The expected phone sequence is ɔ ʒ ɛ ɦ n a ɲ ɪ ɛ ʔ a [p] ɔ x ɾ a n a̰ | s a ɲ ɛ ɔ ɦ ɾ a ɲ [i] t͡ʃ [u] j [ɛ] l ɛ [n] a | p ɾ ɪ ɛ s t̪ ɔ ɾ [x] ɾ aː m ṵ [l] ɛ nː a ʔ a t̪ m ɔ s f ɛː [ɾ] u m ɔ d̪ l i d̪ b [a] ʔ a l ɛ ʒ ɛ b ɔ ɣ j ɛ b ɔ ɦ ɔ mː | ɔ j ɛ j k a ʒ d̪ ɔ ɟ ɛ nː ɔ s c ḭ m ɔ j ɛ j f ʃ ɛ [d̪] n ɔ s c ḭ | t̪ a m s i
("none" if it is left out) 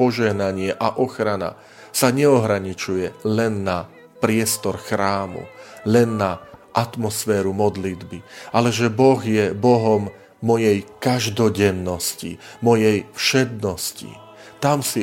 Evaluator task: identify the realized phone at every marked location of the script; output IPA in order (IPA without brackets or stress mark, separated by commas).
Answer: ʔ, i, u, ɛ, nː, x, l, ɾ, i, d̪